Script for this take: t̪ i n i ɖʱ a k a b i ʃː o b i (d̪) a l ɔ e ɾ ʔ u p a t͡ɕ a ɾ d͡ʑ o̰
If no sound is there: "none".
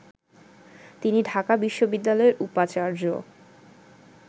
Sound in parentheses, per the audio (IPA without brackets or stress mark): d̪ː